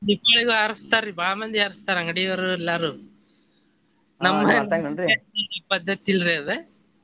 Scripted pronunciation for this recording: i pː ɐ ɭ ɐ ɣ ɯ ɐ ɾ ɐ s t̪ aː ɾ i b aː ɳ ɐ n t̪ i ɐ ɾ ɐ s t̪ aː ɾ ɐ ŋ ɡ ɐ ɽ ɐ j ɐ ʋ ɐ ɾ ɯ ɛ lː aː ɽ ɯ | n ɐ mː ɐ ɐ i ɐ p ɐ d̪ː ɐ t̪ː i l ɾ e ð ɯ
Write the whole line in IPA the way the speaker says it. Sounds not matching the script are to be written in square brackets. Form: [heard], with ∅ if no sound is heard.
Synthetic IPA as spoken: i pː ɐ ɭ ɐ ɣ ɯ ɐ ɾ ɐ s t̪ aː ɾ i b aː [m] ɐ n [d̪] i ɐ ɾ ɐ s t̪ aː ɾ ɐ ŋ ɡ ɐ ɽ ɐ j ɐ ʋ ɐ ɾ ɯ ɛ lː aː [ɾ] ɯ | n ɐ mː ɐ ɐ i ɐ p ɐ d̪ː ɐ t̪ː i l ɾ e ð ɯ